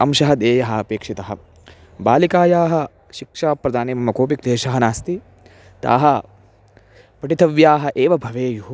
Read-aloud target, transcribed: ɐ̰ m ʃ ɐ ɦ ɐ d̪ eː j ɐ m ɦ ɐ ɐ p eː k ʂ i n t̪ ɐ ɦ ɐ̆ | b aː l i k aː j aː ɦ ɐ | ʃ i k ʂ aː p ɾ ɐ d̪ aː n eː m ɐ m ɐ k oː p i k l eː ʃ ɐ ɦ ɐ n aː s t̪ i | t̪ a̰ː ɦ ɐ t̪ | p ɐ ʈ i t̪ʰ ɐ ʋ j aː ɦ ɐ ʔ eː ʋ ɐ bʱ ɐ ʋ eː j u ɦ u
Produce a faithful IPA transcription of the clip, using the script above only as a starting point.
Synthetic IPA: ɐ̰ m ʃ ɐ ɦ ɐ d̪ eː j ɐ ɦ ɐ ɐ p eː k ʂ i t̪ ɐ ɦ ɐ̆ | b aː l i k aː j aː ɦ ɐ | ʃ i k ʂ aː p ɾ ɐ d̪ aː n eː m ɐ m ɐ k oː p i k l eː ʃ ɐ ɦ ɐ n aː s t̪ i | t̪ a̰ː ɦ ɐ | p ɐ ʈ i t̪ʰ ɐ ʋ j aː ɦ ɐ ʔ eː ʋ ɐ bʱ ɐ ʋ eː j u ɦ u